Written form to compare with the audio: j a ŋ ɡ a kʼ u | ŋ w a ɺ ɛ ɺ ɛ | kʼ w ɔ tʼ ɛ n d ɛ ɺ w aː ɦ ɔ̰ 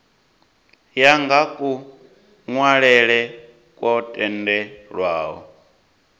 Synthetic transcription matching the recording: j a ŋ ɡ a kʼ u | ŋ w a ɺ ɛ ɺ ɛ | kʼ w ɔ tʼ ɛ n d ɛ ɺ w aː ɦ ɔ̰